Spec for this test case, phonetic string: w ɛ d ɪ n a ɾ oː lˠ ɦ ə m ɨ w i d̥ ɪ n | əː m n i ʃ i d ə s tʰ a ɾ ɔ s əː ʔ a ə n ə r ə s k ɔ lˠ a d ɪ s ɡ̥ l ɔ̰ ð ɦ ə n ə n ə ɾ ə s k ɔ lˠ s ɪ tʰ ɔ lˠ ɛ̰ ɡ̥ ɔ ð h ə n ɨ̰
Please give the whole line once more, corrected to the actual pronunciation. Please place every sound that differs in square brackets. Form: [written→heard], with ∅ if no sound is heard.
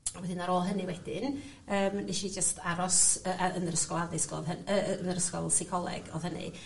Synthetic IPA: w ɛ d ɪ n a ɾ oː lˠ ɦ ə [m→n] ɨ w [i→ɛ] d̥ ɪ n | əː m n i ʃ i [d→d͡ʒ] ə s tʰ a ɾ ɔ s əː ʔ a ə n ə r ə s k ɔ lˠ a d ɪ s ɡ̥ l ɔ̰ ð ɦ ə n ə n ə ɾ ə s k ɔ lˠ s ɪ [tʰ→kʰ] ɔ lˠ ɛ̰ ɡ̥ ɔ ð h ə n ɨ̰